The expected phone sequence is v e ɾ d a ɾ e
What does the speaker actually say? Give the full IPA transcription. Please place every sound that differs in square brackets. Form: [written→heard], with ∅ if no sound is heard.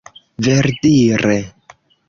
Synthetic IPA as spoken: v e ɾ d [a→i] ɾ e